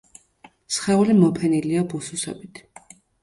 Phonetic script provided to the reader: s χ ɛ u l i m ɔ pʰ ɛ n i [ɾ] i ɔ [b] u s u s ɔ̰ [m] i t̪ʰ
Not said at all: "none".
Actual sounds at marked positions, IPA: l, b, b

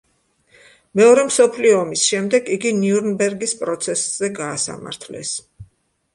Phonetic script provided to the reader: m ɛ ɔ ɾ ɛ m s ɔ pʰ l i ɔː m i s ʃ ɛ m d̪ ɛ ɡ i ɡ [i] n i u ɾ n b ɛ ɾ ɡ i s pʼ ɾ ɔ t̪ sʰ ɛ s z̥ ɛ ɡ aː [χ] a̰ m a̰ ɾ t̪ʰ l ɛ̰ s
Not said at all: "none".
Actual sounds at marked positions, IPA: i, s

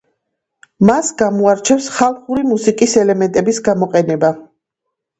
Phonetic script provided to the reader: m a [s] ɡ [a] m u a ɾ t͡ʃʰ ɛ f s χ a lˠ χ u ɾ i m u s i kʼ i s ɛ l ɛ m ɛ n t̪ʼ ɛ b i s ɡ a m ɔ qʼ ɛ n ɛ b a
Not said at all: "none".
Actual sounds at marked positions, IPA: s, a

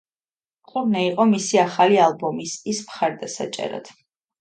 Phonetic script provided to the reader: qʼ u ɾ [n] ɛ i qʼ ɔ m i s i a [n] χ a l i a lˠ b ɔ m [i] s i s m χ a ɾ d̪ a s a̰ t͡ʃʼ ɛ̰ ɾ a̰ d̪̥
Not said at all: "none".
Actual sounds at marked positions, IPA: n, none, i

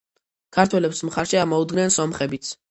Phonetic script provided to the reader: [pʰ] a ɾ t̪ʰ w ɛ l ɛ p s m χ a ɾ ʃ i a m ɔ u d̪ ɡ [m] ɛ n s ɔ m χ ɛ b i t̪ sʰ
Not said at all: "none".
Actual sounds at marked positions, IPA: kʰ, n

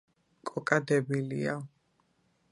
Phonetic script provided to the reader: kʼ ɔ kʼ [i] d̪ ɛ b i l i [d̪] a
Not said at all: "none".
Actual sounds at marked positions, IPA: a, none

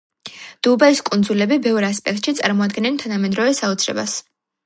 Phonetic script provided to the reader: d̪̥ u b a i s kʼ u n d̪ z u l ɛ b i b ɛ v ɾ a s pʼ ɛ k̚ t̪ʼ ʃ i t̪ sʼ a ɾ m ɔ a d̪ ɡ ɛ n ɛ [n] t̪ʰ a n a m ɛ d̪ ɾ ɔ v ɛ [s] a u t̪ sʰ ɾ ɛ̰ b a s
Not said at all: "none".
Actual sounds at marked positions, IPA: n, s

